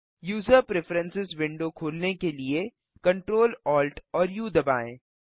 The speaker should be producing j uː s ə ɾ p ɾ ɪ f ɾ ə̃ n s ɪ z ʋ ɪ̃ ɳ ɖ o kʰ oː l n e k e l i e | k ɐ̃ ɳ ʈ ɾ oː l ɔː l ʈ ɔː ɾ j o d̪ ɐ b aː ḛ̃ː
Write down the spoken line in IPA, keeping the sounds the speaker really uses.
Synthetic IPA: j uː z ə ɾ p ɾ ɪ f ɾ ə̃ n s ɪ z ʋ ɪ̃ ɳ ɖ o kʰ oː l n e k e l i e | k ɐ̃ ɳ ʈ ɾ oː l ɔː l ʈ ɔː ɾ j u d̪ ɐ b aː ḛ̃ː